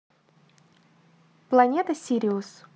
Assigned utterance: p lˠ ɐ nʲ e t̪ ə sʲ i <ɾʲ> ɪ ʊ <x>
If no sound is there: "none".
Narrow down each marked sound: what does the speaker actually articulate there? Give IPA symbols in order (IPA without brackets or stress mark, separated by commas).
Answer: ɾʲ, s